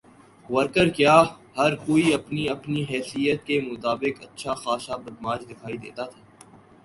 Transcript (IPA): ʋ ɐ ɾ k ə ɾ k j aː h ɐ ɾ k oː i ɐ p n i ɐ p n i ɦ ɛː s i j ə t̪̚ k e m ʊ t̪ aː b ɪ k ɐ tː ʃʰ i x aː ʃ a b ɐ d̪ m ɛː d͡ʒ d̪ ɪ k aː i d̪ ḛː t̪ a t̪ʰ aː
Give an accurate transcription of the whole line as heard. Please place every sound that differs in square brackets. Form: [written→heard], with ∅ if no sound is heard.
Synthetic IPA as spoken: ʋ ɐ ɾ k ə ɾ k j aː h ɐ ɾ k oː i ɐ p n i ɐ p n i ɦ ɛː s i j ə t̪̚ k e m ʊ t̪ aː b ɪ k ɐ tː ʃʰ [i→a] x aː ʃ a b ɐ d̪ m [ɛː→aː] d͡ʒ d̪ ɪ [k→kʰ] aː i d̪ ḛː t̪ a t̪ʰ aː